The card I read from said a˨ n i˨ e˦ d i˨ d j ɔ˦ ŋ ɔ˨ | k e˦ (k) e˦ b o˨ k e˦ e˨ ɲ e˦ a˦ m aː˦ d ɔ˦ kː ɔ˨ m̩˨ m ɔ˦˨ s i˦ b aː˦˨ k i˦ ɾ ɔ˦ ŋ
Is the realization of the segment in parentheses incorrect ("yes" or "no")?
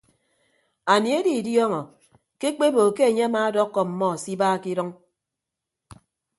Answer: yes